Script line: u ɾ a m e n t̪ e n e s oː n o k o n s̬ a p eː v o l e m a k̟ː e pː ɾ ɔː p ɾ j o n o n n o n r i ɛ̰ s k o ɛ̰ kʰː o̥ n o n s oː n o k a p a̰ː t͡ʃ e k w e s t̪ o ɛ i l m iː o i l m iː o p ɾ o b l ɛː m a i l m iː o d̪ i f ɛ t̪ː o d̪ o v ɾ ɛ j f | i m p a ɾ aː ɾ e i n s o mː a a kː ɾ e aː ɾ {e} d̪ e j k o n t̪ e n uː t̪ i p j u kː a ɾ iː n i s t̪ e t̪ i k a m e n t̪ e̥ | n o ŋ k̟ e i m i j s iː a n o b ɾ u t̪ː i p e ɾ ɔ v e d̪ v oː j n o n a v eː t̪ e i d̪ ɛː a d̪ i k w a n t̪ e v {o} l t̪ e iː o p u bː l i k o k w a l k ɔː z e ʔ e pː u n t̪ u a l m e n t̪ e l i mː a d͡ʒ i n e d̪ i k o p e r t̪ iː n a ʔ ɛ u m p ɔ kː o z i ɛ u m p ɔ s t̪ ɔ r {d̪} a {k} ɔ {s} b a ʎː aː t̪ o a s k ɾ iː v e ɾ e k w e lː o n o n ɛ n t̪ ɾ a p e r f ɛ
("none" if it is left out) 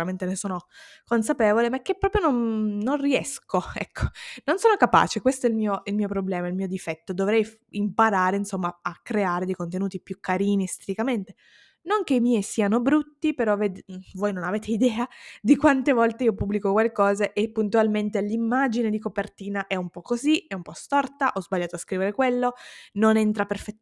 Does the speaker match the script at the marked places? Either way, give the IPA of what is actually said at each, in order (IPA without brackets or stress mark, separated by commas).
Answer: e, ɔ, t̪, ʔ, z